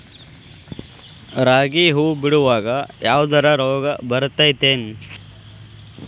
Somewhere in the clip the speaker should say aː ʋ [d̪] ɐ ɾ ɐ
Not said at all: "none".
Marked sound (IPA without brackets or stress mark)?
d̪